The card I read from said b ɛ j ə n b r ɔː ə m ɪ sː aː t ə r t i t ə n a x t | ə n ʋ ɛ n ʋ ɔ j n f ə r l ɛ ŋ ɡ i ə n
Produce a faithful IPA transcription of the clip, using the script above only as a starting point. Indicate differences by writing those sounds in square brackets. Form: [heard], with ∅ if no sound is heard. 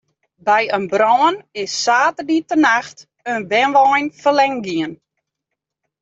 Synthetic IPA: b ɛ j ə n b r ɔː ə [n] ɪ sː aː t ə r [d] i t ə n a x t | ə n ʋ ɛ n ʋ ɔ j n f ə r l ɛ ŋ ɡ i ə n